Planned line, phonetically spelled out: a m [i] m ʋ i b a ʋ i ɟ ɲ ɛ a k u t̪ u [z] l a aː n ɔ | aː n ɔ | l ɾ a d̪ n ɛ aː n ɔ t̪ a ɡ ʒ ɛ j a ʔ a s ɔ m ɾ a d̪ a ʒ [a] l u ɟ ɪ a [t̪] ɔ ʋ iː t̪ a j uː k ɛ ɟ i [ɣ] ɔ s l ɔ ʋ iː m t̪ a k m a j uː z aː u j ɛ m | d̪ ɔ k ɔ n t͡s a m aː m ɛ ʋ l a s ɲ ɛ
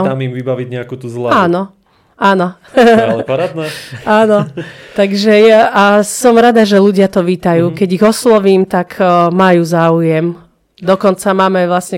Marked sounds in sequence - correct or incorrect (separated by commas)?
correct, correct, incorrect, correct, correct